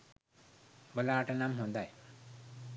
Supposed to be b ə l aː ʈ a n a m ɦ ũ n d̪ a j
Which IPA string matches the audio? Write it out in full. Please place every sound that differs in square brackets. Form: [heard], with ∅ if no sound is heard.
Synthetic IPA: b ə l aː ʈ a n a m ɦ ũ n d̪ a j